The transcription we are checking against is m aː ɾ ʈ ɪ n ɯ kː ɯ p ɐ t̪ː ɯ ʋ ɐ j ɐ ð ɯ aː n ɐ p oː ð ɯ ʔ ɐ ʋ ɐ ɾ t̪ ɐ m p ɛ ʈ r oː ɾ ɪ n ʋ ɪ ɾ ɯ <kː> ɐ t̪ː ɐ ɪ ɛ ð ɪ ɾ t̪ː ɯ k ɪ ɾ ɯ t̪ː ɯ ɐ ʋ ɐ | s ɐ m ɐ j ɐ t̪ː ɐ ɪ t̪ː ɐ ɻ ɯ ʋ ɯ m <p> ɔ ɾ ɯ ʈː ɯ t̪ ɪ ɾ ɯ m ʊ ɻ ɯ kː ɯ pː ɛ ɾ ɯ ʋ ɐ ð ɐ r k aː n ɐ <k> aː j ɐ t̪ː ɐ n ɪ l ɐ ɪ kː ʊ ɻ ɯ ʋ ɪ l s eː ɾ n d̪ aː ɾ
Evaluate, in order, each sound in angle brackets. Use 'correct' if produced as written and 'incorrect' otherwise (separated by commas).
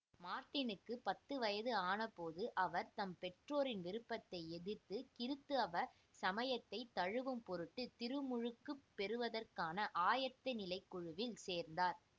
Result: incorrect, correct, incorrect